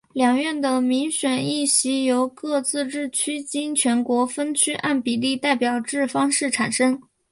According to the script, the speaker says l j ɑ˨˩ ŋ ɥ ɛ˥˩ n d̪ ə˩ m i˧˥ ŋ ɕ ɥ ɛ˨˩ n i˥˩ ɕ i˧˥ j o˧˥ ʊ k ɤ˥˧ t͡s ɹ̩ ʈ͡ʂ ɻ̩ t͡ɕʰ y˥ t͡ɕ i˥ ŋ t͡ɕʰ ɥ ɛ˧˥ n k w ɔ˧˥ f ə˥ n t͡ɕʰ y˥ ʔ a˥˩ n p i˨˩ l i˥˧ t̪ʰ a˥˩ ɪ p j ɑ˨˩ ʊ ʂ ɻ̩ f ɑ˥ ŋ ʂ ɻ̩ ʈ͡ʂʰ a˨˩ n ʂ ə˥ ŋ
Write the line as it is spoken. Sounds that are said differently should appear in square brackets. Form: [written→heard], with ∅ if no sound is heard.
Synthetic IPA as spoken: l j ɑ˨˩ ŋ ɥ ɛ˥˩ n d̪ ə˩ m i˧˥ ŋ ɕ ɥ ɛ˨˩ n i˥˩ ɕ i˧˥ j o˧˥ ʊ k ɤ˥˧ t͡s ɹ̩ ʈ͡ʂ ɻ̩ t͡ɕʰ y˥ t͡ɕ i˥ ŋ t͡ɕʰ ɥ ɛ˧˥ n k w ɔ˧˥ f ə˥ n t͡ɕʰ y˥ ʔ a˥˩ n p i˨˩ l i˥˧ [t̪ʰ→t̪] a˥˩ ɪ p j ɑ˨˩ ʊ [ʂ→ʈ͡ʂ] ɻ̩ f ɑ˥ ŋ ʂ ɻ̩ ʈ͡ʂʰ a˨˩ n ʂ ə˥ ŋ